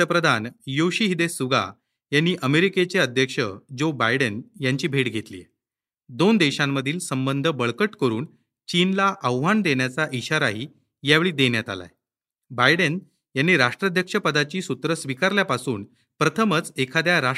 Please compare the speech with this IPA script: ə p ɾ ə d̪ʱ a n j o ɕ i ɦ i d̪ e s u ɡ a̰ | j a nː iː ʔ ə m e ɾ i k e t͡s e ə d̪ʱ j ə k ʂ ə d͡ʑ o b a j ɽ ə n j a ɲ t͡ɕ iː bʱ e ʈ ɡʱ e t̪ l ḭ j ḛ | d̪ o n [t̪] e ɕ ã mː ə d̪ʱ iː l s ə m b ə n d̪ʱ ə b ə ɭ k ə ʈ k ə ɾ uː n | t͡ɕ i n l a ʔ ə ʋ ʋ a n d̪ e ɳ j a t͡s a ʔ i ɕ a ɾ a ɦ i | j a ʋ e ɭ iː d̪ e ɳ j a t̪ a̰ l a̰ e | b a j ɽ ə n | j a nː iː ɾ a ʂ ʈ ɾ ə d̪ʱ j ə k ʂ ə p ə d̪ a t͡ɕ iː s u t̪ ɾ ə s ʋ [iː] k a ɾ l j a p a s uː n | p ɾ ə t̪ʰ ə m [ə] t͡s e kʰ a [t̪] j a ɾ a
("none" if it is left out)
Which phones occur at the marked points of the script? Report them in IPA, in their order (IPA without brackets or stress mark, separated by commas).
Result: d̪, i, ə, d̪